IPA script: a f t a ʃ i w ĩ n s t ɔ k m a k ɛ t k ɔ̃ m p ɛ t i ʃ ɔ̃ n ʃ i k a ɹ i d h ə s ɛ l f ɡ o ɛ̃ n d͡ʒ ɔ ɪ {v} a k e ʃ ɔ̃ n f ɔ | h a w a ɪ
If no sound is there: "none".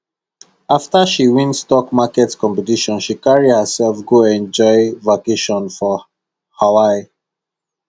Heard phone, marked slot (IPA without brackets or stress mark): v